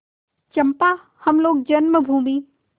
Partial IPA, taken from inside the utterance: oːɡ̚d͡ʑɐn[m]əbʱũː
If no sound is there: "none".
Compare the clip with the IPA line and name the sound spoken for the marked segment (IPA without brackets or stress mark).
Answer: m